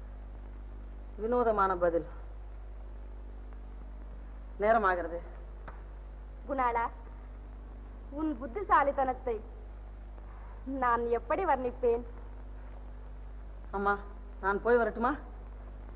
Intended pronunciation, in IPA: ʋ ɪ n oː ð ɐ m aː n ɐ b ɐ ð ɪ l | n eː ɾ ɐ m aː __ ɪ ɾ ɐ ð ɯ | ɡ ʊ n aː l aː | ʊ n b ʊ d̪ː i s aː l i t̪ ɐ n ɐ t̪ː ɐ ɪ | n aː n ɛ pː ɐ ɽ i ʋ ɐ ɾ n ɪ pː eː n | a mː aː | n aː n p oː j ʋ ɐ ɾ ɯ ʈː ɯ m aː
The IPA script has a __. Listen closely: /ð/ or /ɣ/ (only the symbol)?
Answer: ɣ